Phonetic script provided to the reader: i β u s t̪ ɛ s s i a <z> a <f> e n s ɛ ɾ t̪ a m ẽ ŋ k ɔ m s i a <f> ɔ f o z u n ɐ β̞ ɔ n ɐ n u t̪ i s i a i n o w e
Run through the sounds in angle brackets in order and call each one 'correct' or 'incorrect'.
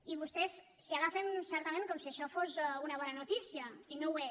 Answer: incorrect: ɣ, correct, incorrect: ʃ

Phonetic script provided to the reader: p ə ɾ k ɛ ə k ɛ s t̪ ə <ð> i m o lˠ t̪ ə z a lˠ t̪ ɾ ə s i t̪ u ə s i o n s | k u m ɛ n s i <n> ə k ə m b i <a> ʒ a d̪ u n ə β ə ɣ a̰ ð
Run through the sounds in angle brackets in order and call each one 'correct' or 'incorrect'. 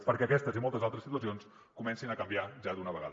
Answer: incorrect: z, correct, correct

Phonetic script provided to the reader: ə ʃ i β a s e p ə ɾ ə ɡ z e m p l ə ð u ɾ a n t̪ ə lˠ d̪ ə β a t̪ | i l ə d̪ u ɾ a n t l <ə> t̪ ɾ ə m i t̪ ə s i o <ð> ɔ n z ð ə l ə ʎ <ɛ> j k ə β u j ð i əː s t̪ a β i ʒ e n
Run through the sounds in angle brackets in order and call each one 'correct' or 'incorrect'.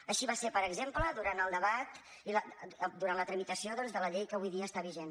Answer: correct, correct, incorrect: e

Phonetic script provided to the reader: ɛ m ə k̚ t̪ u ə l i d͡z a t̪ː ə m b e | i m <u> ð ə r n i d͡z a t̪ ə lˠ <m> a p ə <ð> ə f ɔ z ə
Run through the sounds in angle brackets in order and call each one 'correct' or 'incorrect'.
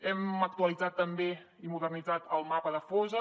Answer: correct, correct, correct

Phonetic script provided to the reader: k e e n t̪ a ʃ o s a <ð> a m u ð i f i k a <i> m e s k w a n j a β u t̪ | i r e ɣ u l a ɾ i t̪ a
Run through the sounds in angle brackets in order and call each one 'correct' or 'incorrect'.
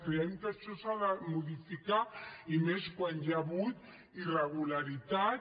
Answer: correct, correct

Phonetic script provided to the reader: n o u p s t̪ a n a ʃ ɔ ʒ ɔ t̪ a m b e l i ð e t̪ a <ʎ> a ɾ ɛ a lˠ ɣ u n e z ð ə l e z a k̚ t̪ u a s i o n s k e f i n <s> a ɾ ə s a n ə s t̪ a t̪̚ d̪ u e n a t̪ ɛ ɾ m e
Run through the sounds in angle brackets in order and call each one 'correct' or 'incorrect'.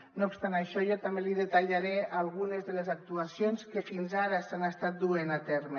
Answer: correct, incorrect: z

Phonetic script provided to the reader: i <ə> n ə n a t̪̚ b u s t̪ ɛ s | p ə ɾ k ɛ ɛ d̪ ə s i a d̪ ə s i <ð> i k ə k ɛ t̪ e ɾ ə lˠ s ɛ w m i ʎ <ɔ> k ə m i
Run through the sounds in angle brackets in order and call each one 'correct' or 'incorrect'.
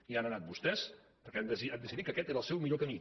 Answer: incorrect: a, correct, incorrect: o

